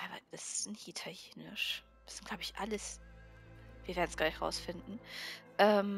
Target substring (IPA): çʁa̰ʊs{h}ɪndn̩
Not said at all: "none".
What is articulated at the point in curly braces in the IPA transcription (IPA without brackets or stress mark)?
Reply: f